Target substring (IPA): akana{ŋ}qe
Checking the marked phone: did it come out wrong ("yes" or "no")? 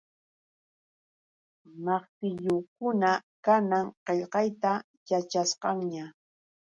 no